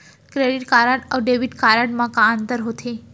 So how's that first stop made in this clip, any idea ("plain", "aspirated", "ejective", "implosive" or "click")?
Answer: plain